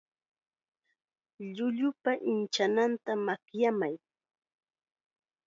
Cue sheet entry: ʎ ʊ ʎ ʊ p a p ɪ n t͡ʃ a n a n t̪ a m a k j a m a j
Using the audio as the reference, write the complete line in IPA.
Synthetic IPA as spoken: ʎ ʊ ʎ ʊ p a ʔ ɪ n t͡ʃ a n a n t̪ a m a k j a m a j

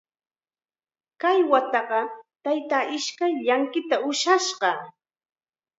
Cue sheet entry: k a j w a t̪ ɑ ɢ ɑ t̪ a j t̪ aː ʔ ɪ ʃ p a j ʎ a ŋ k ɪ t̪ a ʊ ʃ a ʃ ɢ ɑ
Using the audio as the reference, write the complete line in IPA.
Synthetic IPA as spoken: k a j w a t̪ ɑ ɢ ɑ t̪ a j t̪ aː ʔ ɪ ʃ k a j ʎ a ŋ k ɪ t̪ a ʊ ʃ a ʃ ɢ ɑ

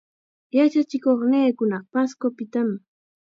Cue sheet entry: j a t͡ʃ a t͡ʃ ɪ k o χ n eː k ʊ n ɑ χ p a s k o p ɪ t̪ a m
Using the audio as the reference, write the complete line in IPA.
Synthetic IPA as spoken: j a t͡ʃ a t͡ʃ ɪ k o χ n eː k ʊ n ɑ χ p a s k o p ɪ t̪ a m

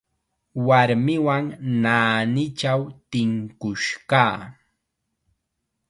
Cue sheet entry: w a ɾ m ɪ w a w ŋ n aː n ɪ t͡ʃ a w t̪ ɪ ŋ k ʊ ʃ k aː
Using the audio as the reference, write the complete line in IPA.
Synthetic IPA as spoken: w a ɾ m ɪ w a ŋ n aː n ɪ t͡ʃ a w t̪ ɪ ŋ k ʊ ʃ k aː

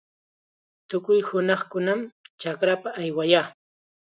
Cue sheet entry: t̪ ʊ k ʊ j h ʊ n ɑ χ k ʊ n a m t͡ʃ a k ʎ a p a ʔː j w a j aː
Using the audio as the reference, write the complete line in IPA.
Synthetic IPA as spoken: t̪ ʊ k ʊ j h ʊ n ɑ χ k ʊ n a m t͡ʃ a k ɾ a p a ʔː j w a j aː

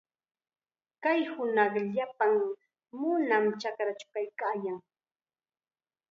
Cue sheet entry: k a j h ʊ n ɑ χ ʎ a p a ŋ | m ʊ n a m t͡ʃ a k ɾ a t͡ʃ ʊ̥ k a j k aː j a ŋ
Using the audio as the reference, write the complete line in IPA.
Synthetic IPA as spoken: k a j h ʊ n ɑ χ ʎ a p a ŋ | m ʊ n a m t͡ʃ a k ɾ a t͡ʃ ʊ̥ k a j k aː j a ŋ

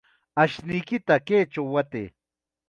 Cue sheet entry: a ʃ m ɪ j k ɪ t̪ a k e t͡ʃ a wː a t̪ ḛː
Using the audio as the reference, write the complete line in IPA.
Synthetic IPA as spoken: a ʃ n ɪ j k ɪ t̪ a k e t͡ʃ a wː a t̪ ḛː

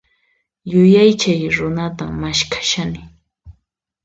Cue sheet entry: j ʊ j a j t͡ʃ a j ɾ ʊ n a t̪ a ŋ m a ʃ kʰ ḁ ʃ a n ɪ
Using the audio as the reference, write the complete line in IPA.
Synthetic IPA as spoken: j ʊ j a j t͡ʃ a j ɾ ʊ n a t̪ a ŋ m a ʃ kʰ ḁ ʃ a n ɪ

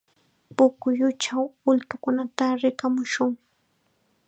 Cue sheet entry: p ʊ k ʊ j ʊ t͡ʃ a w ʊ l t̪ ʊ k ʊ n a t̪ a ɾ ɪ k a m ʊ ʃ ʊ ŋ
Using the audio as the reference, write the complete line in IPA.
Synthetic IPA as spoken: p ʊ k ʊ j ʊ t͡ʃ a w ʊ l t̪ ʊ k ʊ n a t̪ a ɾ ɪ k a m ʊ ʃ ʊ ŋ

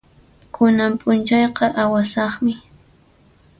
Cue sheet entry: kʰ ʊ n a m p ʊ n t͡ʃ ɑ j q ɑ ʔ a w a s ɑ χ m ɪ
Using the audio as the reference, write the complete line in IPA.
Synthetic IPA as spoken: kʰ ʊ n a m pʼ ʊ n t͡ʃ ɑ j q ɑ ʔ a w a s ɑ χ m ɪ

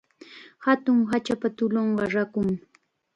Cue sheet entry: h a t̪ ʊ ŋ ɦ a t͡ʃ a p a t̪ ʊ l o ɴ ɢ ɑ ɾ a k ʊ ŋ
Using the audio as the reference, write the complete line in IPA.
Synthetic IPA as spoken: h a t̪ ʊ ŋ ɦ a t͡ʃ a p a t̪ ʊ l o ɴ ɢ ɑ ɾ a k ʊ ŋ

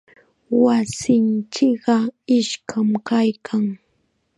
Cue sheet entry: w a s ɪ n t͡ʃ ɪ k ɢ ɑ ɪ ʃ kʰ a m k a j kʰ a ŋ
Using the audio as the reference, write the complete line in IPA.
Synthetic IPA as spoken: w a s ɪ n t͡ʃ ɪ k ɢ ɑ ɪ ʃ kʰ a m k a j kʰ a ŋ

